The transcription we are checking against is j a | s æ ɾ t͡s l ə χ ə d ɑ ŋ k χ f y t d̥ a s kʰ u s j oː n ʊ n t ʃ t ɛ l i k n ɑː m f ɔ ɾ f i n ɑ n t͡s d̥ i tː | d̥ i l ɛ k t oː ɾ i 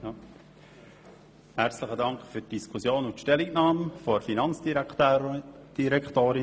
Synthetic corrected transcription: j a | h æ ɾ t͡s l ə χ ə d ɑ ŋ k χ f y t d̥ i s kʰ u s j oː n ʊ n t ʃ t ɛ l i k n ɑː m f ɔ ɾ f i n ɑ n t͡s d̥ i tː | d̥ i ɾ ɛ k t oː ɾ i

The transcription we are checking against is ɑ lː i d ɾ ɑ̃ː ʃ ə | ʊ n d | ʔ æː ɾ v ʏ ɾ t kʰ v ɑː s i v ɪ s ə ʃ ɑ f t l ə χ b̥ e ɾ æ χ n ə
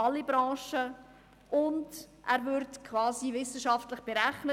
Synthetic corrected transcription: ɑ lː i b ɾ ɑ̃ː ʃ ə | ʊ n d | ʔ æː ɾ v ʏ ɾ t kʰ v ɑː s i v ɪ s ə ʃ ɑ f t l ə χ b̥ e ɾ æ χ n ə

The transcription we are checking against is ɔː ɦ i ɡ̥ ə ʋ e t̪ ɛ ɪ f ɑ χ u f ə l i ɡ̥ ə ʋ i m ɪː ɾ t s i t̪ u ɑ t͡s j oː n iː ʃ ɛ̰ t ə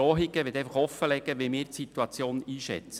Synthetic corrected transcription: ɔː ɦ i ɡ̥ ə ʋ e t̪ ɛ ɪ f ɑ χ ɔ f ə l ɛ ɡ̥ ə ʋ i m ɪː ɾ t s i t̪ u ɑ t͡s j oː n iː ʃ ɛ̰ t͡s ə

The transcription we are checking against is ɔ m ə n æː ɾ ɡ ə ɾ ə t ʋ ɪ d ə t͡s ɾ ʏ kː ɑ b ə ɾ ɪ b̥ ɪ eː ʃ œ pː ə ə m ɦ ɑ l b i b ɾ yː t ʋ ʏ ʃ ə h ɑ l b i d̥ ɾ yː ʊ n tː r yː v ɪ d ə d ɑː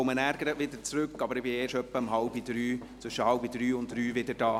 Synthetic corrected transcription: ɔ m ə n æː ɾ ɡ ə ɾ ə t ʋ ɪ d ə t͡s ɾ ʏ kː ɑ b ə ɾ ɪ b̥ ɪ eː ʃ œ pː ə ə m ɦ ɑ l b i d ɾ yː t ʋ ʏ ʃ ə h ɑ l b i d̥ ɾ yː ʊ n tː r yː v ɪ d ə d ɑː

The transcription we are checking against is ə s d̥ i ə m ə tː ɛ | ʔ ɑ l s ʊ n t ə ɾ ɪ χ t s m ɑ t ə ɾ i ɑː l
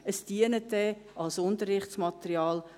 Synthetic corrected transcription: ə s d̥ i ə n ə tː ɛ | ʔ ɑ l s ʊ n t ə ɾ ɪ χ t s m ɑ t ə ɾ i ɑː l

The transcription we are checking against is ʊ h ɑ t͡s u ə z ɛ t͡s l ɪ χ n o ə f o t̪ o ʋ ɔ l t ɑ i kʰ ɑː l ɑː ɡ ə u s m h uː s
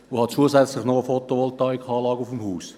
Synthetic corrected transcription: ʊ h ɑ t͡s u ə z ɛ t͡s l ɪ χ n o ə f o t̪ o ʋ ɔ l t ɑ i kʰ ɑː l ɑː ɡ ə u f m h uː s

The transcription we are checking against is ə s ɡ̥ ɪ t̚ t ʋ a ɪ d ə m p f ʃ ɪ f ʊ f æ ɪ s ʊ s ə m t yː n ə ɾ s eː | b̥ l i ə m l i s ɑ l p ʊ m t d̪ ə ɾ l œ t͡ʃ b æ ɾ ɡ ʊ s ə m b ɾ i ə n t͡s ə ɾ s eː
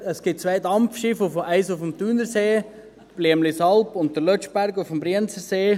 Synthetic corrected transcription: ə s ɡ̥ ɪ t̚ t͡s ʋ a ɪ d ɑ m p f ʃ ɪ f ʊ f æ ɪ s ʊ f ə m t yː n ə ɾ s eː | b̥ l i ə m l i s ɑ l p ʊ n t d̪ ə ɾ l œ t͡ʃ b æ ɾ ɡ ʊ f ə m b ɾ i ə n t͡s ə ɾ s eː

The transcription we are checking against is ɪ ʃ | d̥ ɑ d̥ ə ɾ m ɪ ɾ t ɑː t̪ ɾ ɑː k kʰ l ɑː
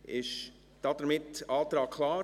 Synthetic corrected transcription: ɪ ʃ | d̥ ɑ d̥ ə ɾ m ɪ t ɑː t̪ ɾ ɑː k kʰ l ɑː

